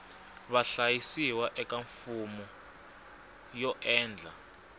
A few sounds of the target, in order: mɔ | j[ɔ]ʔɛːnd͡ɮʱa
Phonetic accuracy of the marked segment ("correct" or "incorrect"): correct